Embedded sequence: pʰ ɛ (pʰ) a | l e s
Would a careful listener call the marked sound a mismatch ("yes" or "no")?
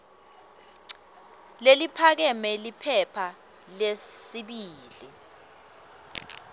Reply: no